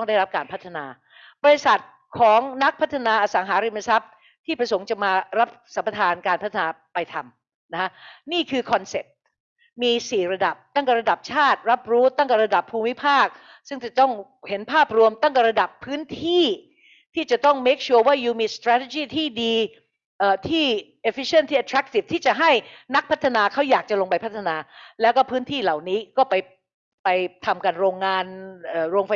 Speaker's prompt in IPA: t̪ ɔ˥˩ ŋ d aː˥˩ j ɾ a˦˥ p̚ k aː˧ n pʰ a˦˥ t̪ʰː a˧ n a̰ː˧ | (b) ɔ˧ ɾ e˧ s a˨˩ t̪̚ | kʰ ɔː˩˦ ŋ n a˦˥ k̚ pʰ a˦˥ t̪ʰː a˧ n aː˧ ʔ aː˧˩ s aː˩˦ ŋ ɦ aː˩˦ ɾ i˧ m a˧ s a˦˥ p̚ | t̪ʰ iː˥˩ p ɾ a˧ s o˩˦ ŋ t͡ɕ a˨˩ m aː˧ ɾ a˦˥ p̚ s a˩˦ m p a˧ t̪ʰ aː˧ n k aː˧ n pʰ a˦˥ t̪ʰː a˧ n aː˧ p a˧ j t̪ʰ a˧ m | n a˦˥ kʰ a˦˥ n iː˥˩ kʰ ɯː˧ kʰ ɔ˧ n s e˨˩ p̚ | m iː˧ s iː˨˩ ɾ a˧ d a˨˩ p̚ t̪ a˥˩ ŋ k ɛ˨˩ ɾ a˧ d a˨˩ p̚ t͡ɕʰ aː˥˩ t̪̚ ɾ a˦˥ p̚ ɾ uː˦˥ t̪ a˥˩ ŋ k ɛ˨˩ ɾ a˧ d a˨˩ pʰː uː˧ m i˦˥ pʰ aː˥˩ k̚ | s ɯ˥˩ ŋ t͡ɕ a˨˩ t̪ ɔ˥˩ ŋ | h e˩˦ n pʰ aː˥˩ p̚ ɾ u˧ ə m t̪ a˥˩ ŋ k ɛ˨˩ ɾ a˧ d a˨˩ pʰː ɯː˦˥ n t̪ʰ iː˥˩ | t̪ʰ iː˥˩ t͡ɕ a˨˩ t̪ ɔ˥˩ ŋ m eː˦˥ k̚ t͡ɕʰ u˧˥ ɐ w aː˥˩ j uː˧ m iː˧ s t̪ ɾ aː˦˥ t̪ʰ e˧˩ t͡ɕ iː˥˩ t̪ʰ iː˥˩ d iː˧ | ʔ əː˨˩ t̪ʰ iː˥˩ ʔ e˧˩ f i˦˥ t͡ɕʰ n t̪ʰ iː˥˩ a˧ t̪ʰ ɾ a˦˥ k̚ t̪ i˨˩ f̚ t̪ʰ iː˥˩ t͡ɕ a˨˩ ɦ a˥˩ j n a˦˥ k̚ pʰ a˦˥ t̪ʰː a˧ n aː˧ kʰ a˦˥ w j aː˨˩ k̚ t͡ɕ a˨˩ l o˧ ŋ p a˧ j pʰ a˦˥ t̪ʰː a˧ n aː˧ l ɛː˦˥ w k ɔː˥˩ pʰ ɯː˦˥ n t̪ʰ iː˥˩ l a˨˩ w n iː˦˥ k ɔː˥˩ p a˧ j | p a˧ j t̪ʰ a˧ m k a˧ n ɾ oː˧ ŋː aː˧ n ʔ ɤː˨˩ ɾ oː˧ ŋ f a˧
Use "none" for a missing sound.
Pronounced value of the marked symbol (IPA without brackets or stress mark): b